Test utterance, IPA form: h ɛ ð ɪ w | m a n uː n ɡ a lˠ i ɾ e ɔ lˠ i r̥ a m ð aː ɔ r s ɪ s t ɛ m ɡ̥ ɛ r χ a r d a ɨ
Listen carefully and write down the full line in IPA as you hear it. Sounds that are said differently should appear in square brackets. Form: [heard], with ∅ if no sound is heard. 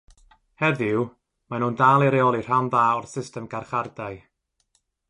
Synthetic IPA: h ɛ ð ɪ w | m a n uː n [d] a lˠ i ɾ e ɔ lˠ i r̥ a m ð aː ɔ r s ɪ s t ɛ m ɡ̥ [a] r χ a r d a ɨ